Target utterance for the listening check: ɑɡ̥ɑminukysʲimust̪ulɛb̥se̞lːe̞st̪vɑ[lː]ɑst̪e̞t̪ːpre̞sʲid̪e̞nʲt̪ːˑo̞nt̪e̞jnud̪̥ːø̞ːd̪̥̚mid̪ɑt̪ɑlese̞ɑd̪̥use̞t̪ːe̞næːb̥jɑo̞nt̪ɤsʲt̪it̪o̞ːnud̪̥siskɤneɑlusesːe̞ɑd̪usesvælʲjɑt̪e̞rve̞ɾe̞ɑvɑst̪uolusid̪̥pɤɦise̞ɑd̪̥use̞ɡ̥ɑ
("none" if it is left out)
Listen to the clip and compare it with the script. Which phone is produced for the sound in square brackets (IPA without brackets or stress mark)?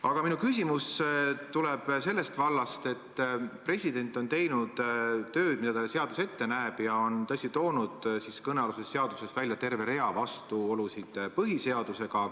lː